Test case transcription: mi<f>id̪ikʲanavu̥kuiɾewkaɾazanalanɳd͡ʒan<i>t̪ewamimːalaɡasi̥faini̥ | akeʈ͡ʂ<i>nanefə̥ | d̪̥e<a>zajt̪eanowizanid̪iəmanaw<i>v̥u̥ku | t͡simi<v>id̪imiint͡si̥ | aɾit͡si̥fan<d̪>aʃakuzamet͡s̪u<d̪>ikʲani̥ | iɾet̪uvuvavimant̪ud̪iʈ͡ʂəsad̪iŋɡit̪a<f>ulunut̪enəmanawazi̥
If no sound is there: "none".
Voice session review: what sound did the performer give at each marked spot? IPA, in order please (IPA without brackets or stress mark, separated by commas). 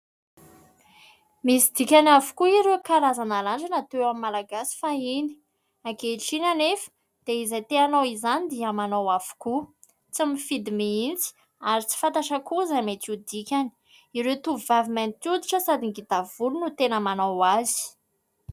s, a, i, i, a, f, t̪, d̪, v